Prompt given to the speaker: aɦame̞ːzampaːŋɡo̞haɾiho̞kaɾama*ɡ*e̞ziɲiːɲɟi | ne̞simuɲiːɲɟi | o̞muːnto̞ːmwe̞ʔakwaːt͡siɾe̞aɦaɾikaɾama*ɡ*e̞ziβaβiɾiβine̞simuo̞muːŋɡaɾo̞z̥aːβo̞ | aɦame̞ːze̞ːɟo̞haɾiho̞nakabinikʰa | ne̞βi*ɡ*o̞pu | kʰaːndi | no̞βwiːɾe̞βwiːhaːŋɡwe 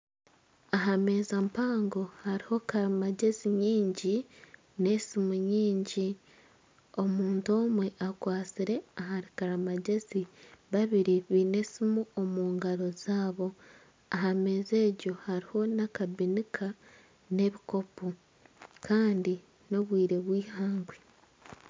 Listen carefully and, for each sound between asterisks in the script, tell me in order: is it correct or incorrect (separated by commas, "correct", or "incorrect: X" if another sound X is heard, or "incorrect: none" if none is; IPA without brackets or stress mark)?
incorrect: ɟ, incorrect: ɟ, incorrect: k